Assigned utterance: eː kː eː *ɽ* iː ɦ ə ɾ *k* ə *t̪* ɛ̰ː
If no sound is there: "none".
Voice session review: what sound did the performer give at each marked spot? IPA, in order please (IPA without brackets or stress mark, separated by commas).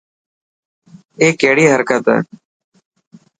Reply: ɽ, k, t̪